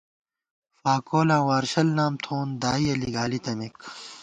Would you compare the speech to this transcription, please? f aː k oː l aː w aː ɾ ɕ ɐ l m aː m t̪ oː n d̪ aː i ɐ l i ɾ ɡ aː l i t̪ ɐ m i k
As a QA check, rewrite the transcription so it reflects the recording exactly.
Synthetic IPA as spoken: f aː k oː l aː w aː ɾ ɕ ɐ l n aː m t̪ʰ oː n d̪ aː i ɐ l i ɡ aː l i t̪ ɐ m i k